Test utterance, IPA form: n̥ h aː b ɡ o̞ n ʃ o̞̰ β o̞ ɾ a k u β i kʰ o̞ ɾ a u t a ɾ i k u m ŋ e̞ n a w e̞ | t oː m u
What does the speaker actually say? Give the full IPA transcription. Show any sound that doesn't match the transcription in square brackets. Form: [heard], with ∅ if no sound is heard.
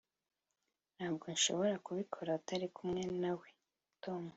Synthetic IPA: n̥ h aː b ɡ o̞ n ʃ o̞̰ β o̞ ɾ a k u β i kʰ o̞ ɾ a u t a ɾ i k u m ŋ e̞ n a w e̞ | t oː m u